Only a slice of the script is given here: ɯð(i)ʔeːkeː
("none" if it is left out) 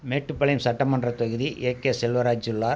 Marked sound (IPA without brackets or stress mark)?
i